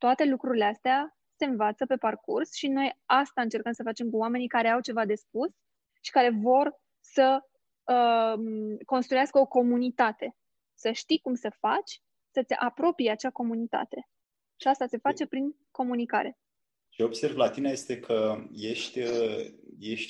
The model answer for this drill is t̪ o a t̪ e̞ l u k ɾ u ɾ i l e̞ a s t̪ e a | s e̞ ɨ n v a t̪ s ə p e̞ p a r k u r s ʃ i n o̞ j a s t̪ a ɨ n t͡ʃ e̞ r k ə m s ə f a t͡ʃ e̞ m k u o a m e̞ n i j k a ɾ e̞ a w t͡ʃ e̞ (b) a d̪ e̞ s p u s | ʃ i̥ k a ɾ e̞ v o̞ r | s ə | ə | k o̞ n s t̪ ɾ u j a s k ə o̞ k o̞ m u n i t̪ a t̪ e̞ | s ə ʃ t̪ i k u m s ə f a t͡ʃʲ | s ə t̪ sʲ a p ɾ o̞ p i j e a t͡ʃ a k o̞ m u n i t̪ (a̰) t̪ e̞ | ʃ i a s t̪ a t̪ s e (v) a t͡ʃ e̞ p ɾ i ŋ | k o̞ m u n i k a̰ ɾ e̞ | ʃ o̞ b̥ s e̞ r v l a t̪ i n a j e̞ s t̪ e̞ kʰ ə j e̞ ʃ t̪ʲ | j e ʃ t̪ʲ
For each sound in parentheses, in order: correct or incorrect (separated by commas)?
incorrect, correct, incorrect